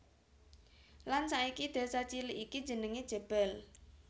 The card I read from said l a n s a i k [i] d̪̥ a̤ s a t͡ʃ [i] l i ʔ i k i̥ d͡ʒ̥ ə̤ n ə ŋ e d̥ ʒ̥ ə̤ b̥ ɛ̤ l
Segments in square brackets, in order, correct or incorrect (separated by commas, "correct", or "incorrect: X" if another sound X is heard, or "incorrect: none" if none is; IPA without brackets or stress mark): correct, correct